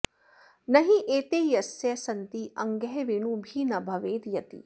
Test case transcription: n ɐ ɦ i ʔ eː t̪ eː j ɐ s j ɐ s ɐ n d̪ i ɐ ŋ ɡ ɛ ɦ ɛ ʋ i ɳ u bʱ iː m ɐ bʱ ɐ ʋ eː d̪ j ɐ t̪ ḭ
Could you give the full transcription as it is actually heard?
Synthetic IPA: n ɐ ɦ i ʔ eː t̪ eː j ɐ s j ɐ s ɐ n t̪ i ɐ ŋ ɡ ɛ ɦ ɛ ʋ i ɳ u bʱ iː n ɐ bʱ ɐ ʋ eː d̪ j ɐ t̪ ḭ